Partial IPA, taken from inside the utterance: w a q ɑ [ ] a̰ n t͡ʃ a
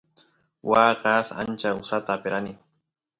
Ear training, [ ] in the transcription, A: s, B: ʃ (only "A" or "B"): A